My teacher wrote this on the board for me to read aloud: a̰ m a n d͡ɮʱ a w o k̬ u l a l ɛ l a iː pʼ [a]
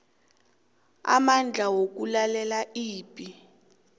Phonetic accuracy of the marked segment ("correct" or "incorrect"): incorrect